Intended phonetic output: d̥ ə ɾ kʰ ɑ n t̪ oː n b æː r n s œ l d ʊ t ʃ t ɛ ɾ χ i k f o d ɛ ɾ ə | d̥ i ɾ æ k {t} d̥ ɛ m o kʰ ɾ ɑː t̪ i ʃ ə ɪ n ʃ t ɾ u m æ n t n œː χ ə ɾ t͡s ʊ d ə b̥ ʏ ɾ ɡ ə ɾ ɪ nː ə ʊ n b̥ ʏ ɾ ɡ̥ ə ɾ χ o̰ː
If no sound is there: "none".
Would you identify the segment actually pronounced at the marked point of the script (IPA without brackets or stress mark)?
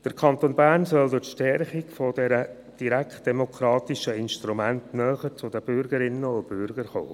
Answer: t